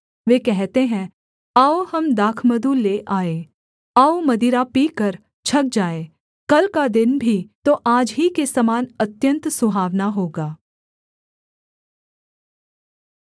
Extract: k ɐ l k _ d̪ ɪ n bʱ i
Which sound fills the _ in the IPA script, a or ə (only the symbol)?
a